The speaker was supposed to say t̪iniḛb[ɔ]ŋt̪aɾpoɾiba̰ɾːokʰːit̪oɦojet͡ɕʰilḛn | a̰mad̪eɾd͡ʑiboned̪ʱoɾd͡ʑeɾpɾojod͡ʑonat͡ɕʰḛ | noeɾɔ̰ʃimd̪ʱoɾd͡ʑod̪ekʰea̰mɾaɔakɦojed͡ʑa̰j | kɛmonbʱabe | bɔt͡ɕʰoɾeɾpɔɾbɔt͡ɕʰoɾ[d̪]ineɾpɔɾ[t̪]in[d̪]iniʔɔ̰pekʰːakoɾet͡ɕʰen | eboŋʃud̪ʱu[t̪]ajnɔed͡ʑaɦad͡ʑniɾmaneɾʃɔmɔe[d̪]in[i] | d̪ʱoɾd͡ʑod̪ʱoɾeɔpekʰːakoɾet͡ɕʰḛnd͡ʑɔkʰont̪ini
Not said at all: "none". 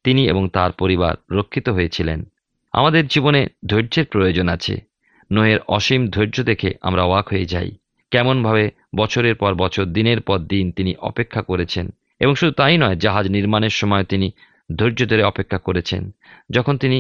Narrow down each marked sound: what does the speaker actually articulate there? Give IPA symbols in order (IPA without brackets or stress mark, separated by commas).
o, d̪, d̪, t̪, t̪, t̪, i